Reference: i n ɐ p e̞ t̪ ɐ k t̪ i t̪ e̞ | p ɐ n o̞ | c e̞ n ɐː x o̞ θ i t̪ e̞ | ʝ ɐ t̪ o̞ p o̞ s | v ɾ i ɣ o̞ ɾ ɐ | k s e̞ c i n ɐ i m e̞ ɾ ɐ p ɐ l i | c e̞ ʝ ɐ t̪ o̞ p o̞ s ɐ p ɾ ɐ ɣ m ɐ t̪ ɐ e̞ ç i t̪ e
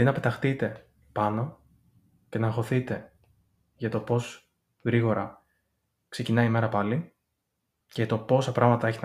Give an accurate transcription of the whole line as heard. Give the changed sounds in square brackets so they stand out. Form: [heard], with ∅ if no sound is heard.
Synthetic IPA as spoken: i n ɐ p e̞ t̪ ɐ [x] t̪ i t̪ e̞ | p ɐ n o̞ | c e̞ n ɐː x o̞ θ i t̪ e̞ | ʝ ɐ t̪ o̞ p o̞ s | [ɣ] ɾ i ɣ o̞ ɾ ɐ | k s e̞ c i n ɐ i m e̞ ɾ ɐ p ɐ l i | c e̞ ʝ ɐ t̪ o̞ p o̞ s ɐ p ɾ ɐ ɣ m ɐ t̪ ɐ e̞ ç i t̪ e